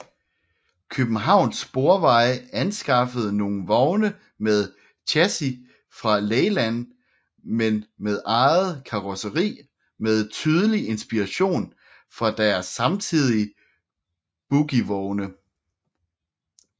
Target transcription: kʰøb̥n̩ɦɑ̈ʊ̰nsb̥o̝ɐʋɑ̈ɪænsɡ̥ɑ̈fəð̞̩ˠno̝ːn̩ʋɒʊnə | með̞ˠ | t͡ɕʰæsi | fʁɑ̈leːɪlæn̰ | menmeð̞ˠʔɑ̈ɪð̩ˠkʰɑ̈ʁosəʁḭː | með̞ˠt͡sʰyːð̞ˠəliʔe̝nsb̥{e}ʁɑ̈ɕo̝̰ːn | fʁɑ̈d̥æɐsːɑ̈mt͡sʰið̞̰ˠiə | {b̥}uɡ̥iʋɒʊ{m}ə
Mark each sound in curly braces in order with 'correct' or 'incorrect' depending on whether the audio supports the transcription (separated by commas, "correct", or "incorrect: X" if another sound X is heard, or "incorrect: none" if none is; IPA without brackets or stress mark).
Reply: incorrect: i, correct, incorrect: n